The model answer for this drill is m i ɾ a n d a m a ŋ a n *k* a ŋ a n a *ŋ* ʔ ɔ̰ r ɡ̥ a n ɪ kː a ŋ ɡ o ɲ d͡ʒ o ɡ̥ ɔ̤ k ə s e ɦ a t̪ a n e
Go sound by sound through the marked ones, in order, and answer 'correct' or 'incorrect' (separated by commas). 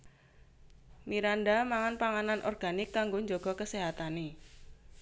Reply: incorrect, incorrect